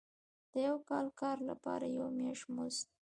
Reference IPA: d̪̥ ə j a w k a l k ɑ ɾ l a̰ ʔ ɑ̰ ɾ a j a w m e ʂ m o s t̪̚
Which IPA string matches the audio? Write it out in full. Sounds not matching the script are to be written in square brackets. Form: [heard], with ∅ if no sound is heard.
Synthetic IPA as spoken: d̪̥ ə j a w k [ɑ] l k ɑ ɾ l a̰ [p] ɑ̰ ɾ a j a w m e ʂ m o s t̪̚